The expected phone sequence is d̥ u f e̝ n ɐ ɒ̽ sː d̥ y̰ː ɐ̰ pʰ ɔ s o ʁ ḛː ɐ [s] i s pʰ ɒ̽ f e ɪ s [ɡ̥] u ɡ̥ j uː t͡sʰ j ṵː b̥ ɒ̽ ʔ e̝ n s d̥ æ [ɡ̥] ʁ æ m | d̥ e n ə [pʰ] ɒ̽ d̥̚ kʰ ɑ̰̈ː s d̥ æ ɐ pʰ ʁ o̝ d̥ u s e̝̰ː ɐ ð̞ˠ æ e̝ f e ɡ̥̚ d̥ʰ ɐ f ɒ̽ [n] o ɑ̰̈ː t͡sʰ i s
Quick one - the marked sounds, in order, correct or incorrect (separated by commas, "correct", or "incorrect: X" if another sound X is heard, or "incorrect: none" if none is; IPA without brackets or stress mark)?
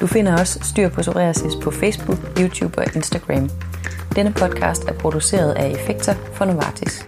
correct, incorrect: b̥, correct, correct, correct